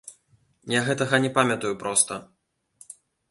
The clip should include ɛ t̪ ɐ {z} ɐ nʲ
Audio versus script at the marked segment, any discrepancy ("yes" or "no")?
yes